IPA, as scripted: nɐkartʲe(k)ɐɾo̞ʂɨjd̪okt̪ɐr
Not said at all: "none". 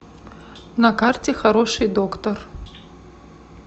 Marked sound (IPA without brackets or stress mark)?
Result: x